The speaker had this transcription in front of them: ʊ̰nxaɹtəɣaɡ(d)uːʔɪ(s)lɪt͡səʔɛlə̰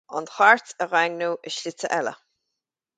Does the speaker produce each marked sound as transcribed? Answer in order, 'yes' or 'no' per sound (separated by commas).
no, no